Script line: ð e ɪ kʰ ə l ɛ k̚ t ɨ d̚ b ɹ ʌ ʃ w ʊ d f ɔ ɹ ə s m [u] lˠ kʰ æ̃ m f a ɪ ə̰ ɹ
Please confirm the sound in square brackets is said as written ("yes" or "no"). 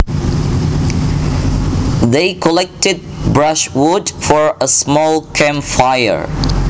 no